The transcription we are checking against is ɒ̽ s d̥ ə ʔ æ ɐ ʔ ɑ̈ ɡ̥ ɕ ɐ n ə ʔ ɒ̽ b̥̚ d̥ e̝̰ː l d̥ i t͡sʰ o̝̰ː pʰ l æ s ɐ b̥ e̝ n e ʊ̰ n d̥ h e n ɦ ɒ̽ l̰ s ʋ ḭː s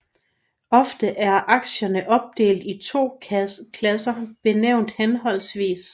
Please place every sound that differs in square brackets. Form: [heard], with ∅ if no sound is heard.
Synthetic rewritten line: ɒ̽ [f] d̥ ə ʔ æ ɐ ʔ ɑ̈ ɡ̥ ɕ ɐ n ə ʔ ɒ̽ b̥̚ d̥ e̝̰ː l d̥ i t͡sʰ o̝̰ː [kʰ] l æ s ɐ b̥ e̝ n e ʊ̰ n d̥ h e n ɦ ɒ̽ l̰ s ʋ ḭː s